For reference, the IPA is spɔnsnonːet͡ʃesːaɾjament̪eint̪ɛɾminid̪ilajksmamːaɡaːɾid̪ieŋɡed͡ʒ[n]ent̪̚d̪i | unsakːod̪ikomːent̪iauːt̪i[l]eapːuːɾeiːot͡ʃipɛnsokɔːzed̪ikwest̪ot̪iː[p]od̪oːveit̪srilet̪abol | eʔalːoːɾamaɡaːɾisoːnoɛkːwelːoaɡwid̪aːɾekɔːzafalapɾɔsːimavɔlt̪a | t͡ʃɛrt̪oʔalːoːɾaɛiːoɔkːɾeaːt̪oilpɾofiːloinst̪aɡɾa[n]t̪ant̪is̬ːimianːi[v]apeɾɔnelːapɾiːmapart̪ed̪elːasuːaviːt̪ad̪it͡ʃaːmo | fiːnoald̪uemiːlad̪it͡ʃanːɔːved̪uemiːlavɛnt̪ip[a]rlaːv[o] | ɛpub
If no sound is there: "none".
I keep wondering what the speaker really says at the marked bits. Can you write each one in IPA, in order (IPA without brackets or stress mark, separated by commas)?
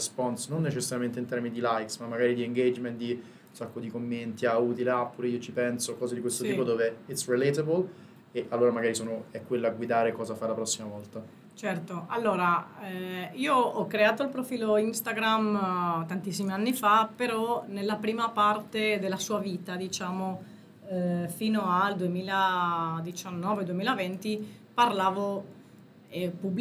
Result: m, l, p, m, f, a, o